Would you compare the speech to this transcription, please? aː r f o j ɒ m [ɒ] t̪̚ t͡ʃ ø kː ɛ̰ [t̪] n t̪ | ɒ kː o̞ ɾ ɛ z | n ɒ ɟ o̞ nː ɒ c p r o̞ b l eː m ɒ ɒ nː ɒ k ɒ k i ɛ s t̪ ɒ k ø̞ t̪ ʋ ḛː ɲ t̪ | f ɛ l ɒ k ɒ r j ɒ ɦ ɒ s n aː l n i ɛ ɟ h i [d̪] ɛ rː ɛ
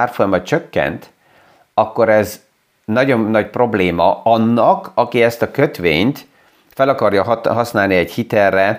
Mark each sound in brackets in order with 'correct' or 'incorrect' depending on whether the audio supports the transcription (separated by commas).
correct, incorrect, incorrect